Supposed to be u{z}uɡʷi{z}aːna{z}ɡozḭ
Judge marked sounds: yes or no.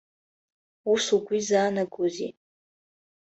no, yes, no

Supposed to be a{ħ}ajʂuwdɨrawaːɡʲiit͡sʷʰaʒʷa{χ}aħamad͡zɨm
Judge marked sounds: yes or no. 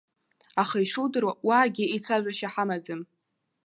no, no

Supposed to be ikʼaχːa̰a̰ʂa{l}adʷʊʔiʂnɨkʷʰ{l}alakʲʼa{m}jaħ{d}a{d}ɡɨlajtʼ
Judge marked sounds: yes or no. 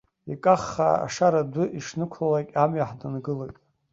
no, yes, yes, yes, no

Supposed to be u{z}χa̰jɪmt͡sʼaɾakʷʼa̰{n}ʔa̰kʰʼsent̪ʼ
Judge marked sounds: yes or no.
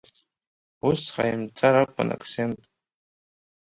no, yes

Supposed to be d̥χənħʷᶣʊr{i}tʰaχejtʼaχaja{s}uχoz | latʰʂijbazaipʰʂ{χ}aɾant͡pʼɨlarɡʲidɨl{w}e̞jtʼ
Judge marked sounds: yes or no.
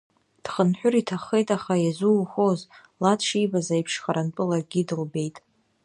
yes, no, yes, no

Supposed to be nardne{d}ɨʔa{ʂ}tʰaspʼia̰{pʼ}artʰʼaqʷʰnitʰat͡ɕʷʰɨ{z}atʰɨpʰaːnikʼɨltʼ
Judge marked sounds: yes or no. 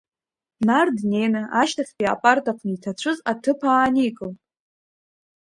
no, no, yes, yes

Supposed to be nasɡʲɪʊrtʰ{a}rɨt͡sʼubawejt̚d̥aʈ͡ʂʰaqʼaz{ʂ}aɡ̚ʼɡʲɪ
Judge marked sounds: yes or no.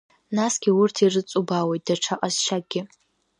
no, no

